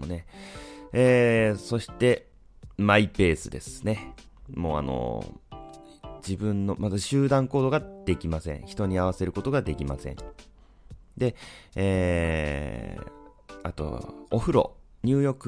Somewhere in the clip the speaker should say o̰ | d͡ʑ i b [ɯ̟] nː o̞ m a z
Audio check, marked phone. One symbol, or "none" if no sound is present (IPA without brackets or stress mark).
ɯ̟̃